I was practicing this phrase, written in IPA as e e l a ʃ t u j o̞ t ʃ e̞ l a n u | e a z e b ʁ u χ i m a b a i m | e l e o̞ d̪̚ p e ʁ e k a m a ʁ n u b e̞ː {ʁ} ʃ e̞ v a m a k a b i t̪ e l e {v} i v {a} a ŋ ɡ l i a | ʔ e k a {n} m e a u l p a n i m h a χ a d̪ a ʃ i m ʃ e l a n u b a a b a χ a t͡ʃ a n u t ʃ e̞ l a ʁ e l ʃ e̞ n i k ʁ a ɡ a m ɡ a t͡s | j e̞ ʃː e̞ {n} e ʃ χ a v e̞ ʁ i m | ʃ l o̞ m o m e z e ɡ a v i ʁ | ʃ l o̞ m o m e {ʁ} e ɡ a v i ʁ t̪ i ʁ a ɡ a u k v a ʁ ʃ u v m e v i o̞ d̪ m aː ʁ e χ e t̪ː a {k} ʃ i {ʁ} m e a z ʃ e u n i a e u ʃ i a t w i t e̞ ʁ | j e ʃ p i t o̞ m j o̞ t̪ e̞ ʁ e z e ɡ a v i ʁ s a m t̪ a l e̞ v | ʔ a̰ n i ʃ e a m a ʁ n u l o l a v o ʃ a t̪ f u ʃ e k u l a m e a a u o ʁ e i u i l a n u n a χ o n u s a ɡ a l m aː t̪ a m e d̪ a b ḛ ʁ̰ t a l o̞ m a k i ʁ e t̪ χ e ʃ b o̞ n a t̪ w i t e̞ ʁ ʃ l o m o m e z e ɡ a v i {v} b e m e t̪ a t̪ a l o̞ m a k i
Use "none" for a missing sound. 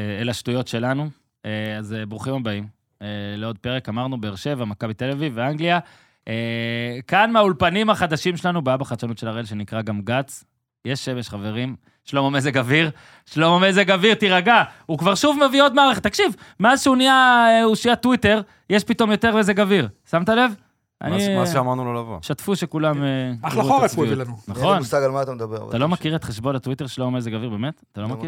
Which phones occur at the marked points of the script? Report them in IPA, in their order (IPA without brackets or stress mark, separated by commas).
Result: ʁ, v, e, n, m, z, k, v, ʁ